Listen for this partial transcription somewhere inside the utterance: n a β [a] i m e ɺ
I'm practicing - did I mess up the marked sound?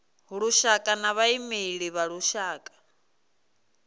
no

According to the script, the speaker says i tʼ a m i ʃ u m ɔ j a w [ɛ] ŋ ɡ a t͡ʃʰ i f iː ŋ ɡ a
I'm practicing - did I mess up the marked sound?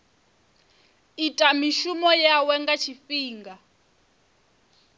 no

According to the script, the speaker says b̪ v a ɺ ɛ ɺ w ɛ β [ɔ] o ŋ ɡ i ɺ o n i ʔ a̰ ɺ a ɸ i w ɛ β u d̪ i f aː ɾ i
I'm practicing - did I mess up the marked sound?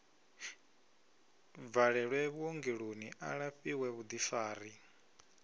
yes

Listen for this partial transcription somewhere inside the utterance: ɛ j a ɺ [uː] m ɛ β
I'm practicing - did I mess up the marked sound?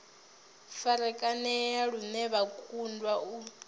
yes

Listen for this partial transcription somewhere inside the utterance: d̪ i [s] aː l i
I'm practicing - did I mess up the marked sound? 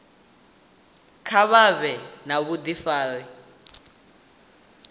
yes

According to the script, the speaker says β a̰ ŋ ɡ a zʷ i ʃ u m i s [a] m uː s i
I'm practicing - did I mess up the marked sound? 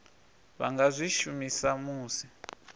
no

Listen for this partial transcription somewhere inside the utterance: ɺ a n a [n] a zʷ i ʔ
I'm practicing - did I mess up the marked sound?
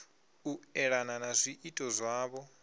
no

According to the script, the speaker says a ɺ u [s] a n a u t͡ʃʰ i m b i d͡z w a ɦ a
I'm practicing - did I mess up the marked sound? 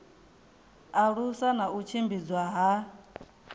no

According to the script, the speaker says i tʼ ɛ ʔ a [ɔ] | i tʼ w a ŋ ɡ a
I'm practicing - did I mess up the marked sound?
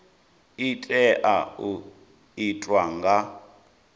yes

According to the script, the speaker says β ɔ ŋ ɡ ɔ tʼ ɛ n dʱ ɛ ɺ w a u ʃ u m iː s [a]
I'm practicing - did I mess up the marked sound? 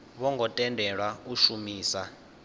no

